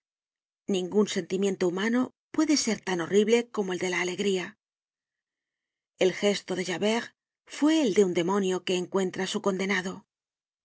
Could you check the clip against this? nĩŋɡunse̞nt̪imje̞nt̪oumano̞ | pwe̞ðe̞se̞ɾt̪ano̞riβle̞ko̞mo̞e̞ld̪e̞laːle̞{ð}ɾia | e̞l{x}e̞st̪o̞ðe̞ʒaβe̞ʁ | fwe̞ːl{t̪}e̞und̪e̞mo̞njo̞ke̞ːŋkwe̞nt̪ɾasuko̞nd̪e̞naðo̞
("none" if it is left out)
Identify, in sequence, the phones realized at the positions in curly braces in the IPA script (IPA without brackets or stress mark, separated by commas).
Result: ɣ, x, d̪